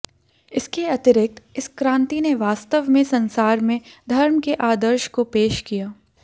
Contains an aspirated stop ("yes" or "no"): no